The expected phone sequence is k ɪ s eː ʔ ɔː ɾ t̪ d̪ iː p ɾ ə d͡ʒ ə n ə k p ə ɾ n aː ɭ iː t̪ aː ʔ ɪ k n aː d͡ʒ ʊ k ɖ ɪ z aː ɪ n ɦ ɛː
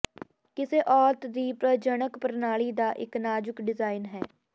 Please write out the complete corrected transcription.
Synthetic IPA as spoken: k ɪ s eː ʔ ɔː ɾ t̪ d̪ iː p ɾ ə d͡ʒ ə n ə k p ə ɾ n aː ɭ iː d̪ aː ʔ ɪ k n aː d͡ʒ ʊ k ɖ ɪ z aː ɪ n ɦ ɛː